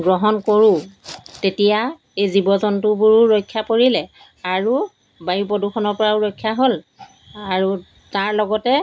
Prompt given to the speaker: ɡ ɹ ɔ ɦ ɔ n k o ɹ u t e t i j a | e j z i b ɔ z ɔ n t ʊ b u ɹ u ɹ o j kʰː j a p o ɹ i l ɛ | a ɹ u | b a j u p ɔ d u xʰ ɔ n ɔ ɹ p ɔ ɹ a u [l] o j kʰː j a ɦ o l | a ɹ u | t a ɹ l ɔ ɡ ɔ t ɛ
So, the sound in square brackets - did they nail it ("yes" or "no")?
no